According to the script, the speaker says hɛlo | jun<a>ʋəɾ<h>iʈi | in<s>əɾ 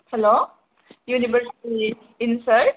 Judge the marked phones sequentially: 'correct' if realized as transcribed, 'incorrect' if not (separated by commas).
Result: incorrect, incorrect, correct